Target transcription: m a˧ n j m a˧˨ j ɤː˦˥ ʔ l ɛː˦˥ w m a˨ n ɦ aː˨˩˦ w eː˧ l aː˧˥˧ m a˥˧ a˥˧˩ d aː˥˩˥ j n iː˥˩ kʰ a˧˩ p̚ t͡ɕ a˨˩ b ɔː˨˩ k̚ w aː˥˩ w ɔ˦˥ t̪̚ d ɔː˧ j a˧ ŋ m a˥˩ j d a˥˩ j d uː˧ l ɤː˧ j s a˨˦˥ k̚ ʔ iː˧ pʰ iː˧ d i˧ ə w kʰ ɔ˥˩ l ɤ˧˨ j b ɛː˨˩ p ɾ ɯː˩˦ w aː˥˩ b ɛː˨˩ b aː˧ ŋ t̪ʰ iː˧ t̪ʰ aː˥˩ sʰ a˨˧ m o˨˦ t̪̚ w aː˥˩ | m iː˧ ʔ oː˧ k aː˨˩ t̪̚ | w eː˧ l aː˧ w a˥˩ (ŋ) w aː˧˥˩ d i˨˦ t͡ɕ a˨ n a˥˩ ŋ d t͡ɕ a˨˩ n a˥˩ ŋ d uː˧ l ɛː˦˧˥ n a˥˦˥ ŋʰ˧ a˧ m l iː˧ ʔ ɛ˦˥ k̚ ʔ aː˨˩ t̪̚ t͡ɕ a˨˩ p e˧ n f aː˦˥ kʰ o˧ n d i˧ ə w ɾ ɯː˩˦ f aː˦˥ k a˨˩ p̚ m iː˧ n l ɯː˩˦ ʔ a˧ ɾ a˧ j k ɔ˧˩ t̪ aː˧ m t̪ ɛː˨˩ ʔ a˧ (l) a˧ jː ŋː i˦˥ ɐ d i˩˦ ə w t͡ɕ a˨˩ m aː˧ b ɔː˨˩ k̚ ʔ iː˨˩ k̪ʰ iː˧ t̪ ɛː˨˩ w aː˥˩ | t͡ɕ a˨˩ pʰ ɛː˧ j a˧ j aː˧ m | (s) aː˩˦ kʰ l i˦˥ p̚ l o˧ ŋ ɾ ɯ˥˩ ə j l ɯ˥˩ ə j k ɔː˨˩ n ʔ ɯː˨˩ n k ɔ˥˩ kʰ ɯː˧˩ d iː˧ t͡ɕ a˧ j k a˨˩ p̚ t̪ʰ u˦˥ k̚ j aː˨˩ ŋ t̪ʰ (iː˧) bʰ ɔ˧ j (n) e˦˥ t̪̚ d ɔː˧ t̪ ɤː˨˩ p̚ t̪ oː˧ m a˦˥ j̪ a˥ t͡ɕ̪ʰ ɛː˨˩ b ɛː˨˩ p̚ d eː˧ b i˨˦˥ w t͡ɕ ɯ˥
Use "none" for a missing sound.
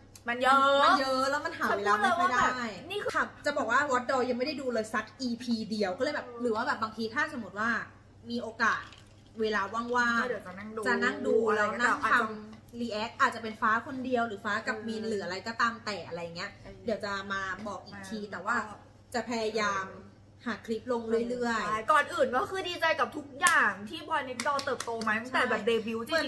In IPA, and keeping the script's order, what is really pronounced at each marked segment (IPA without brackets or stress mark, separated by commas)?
ŋ, ɾ, h, iː˥˩, n